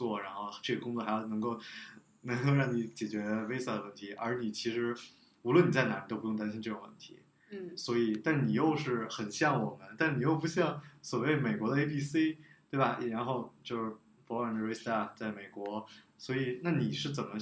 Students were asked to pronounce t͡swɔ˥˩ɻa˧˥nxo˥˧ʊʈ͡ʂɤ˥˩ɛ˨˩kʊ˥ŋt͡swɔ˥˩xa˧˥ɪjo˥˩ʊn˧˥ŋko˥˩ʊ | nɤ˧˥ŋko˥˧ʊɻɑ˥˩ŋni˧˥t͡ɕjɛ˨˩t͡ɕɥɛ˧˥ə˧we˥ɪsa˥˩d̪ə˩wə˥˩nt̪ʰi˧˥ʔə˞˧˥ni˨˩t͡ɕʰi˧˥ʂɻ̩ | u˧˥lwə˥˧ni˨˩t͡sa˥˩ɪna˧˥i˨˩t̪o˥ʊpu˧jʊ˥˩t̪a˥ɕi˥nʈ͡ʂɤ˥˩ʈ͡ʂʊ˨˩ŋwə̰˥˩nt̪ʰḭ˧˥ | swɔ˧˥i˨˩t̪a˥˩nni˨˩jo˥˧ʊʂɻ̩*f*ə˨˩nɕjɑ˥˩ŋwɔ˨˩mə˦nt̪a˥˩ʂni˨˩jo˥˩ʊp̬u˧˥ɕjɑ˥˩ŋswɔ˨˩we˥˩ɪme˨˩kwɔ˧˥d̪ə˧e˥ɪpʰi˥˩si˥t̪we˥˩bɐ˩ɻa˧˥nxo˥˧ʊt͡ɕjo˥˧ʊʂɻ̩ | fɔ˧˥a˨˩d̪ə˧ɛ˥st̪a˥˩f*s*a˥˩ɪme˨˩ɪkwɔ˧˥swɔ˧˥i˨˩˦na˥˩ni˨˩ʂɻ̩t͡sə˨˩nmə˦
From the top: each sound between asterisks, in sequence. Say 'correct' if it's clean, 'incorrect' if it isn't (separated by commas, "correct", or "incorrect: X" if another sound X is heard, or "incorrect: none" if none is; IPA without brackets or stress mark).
incorrect: x, incorrect: t͡s